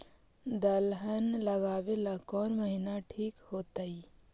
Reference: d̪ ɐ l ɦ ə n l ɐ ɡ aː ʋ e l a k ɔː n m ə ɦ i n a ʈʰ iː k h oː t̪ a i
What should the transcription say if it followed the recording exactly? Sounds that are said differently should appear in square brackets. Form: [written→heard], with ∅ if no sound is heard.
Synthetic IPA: d̪ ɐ l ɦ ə n l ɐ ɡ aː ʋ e l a k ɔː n m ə ɦ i n a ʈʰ iː k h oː t̪ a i

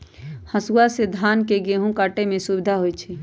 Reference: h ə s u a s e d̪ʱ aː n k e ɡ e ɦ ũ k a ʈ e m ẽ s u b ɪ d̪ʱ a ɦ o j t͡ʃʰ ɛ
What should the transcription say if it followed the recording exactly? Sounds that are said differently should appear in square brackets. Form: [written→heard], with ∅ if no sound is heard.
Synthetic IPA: h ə s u a s e d̪ʱ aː n k e ɡ e ɦ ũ k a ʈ e m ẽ s u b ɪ d̪ʱ a ɦ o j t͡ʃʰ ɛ

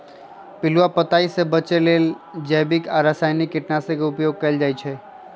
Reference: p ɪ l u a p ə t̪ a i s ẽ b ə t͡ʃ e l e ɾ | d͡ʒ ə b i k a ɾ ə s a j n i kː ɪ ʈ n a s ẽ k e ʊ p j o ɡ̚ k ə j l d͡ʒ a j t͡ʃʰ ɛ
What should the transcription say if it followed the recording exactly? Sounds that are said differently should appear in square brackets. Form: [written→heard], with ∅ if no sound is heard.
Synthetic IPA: p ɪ l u a p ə t̪ a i s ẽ b ə t͡ʃ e l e [ɾ→l] | d͡ʒ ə b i k a ɾ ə s a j n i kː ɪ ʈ n a s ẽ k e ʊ p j o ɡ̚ k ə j l d͡ʒ a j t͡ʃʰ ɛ

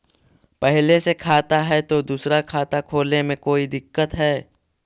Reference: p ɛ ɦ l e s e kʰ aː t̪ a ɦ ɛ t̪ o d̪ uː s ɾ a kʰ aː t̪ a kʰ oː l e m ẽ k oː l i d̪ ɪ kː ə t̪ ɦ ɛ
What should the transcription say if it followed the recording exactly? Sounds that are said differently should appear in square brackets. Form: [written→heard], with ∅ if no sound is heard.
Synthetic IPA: p ɛ ɦ l e s e kʰ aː t̪ a ɦ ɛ t̪ o d̪ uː s ɾ a kʰ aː t̪ a kʰ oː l e m ẽ k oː [l→∅] i d̪ ɪ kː ə t̪ ɦ [ɛ→ɛː]

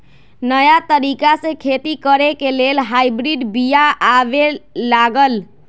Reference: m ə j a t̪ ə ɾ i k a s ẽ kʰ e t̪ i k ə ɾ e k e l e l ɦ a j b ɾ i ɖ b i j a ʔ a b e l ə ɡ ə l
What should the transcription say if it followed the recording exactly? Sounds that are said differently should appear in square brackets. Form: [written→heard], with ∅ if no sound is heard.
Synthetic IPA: [m→n] ə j a t̪ ə ɾ i k a s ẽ kʰ e t̪ i k ə ɾ e k e l e l ɦ a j b ɾ i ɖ b i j a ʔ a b e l [ə→a] ɡ ə l

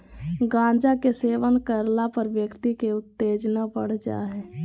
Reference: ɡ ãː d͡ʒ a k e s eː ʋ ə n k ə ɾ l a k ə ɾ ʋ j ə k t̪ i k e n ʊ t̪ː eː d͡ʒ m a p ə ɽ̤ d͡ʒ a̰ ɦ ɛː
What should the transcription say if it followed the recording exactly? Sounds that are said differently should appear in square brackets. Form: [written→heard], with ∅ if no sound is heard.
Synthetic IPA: ɡ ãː d͡ʒ a k e s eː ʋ ə n k ə ɾ l a [k→p] ə ɾ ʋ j ə k t̪ i k e [n→∅] ʊ t̪ː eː d͡ʒ [m→n] a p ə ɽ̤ d͡ʒ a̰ ɦ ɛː

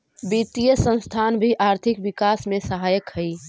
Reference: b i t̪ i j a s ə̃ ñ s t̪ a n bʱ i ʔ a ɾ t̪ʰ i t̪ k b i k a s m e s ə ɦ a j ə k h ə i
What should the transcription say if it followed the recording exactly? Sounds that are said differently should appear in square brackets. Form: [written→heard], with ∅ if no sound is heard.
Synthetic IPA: b i t̪ i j [a→ə] s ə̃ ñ s [t̪→t̪ʰ] a n bʱ i ʔ a ɾ t̪ʰ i [t̪→∅] k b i k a s m e s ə ɦ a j ə k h ə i

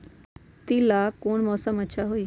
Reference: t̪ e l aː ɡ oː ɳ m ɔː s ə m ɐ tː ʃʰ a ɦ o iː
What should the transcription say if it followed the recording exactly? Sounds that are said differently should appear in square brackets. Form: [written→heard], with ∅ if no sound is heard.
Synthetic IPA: t̪ [e→i] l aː [ɡ→k] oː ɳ m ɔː s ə m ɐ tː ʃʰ a ɦ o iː

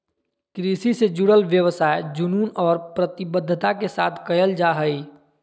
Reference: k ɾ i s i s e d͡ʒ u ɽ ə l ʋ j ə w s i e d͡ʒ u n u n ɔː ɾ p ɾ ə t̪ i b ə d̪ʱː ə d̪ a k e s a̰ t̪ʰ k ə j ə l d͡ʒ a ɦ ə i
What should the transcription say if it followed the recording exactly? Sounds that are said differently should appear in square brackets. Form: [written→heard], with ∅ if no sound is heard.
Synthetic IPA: k ɾ i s i s e d͡ʒ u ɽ ə l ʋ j ə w s [i→a] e d͡ʒ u n u n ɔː ɾ p ɾ ə t̪ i b ə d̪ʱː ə [d̪→t̪] a k e s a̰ t̪ʰ k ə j ə l d͡ʒ a ɦ ə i

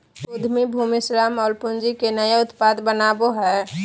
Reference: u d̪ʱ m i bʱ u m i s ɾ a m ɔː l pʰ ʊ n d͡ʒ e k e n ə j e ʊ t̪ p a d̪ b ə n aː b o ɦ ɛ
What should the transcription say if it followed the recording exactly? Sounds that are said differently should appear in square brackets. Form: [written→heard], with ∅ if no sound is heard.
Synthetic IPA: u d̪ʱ m i bʱ u m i s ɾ a m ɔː l [pʰ→p] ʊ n d͡ʒ [e→i] k e n ə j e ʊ t̪ p a d̪ b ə n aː b o ɦ ɛ

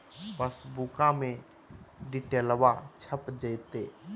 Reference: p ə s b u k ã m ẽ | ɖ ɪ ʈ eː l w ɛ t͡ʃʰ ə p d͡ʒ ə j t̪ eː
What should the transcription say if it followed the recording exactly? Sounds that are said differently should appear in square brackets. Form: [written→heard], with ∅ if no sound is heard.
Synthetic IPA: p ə s b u k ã m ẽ | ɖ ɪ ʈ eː l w [ɛ→a] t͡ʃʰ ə p d͡ʒ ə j t̪ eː

